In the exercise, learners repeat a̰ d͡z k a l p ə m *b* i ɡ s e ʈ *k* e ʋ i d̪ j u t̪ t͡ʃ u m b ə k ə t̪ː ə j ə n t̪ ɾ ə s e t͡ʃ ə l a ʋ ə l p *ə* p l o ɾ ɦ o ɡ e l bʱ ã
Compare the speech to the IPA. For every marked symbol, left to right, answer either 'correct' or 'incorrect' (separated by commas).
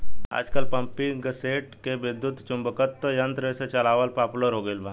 incorrect, correct, incorrect